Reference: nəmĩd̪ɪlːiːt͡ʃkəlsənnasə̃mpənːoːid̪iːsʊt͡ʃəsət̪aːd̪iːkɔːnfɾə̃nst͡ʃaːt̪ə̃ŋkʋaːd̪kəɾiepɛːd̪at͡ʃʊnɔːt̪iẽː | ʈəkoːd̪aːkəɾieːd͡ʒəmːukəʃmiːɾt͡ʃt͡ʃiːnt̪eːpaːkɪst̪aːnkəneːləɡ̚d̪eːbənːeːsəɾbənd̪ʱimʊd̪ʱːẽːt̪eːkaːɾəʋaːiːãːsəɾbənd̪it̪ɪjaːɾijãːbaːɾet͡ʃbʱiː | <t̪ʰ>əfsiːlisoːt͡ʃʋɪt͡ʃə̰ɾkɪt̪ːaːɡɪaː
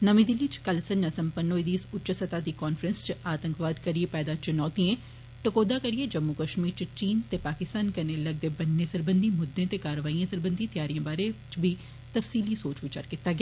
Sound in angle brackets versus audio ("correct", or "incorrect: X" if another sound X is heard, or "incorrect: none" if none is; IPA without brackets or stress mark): incorrect: t̪